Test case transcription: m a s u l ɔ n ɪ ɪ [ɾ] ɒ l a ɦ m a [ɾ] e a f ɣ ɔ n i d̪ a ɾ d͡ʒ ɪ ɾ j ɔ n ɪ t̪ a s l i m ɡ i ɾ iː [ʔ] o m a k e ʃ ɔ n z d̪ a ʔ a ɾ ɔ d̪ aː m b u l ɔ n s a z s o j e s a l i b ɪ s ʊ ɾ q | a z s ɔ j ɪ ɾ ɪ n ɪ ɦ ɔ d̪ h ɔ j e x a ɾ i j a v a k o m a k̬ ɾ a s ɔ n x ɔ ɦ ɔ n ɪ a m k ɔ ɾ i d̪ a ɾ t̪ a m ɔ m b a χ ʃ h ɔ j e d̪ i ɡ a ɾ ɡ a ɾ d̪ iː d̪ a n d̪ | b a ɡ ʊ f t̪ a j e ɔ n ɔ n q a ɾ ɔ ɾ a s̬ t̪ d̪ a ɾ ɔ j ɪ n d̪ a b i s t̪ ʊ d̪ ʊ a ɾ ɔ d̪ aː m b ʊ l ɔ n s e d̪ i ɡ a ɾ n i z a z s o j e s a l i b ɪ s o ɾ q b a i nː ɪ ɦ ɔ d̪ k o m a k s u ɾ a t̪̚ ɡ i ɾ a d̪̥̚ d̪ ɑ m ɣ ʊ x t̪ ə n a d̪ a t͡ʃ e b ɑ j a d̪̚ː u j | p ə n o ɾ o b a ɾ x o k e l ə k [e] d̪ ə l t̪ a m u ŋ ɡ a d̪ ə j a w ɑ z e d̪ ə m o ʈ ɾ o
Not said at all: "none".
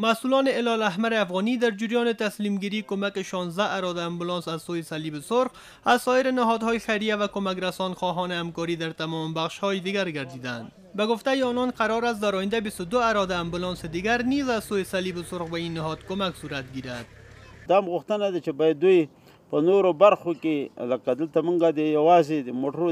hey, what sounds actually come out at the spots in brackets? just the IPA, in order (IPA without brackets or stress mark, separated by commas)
l, ɾ, k, a